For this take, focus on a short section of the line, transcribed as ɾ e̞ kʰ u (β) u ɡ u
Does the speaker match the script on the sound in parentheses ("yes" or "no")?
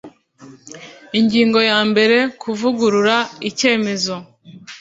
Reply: no